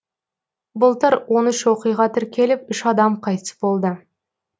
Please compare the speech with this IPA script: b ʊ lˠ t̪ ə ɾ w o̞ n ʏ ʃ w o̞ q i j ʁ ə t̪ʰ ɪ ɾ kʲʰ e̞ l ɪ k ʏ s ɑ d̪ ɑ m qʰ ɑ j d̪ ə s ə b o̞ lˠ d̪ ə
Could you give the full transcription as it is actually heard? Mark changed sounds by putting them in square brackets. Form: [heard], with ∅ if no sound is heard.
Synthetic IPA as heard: b ʊ lˠ t̪ ə ɾ w o̞ n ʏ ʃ w o̞ q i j ʁ [ɑ] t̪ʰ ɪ ɾ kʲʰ e̞ l ɪ [p] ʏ [ʃ] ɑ d̪ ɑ m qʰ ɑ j [t̪] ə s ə b o̞ lˠ d̪ ə